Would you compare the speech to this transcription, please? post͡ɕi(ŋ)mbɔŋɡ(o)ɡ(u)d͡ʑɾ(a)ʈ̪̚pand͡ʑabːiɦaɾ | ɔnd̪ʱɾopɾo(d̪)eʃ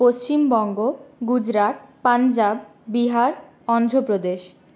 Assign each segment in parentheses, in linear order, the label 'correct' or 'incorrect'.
incorrect: none, correct, correct, correct, correct

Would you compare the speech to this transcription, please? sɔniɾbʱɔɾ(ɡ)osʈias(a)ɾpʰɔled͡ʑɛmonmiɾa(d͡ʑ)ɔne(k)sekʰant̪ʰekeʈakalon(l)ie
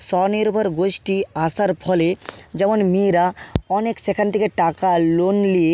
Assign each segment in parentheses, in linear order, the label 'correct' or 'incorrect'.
correct, correct, incorrect: none, correct, correct

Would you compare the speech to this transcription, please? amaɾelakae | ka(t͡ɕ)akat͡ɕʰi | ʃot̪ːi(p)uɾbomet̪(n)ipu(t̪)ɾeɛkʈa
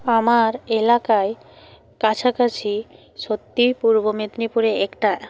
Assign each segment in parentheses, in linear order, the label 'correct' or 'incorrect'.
incorrect: t͡ɕʰ, correct, correct, incorrect: none

